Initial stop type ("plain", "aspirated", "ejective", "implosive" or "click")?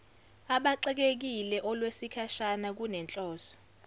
implosive